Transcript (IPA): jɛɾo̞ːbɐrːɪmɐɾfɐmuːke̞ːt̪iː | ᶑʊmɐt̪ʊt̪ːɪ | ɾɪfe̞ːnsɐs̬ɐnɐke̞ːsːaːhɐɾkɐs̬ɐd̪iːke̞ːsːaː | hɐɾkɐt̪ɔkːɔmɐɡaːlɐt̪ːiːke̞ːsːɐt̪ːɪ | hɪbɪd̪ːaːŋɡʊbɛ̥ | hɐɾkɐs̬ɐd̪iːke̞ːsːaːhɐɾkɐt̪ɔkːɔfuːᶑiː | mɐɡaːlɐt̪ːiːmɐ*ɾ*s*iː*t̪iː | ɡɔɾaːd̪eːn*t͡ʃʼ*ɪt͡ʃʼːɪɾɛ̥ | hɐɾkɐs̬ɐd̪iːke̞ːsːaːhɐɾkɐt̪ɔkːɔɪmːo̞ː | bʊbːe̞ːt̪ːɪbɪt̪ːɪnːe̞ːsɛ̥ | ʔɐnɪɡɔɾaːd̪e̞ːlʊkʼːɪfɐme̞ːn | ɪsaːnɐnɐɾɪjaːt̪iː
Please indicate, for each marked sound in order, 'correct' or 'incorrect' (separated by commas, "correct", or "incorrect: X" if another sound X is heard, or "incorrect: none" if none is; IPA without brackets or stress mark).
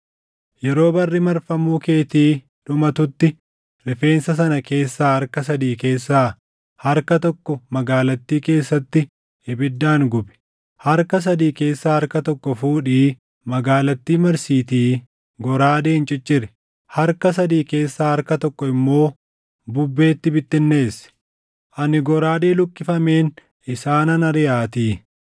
correct, correct, correct